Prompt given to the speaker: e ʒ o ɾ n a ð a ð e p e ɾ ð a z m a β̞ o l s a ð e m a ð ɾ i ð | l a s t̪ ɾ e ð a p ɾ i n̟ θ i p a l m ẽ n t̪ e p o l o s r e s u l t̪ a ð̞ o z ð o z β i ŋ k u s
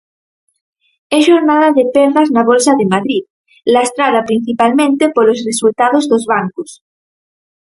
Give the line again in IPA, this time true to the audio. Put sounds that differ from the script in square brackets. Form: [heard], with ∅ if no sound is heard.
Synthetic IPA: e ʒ o ɾ n a ð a ð e p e ɾ ð a z [n] a β̞ o l s a ð e m a ð ɾ i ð | l a s t̪ ɾ [a] ð a p ɾ i n̟ θ i p a l m ẽ n t̪ e p o l o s r e s u l t̪ a ð̞ o z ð o z β [a] ŋ k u s